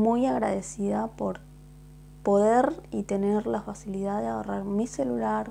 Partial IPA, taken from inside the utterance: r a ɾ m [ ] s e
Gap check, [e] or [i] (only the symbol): i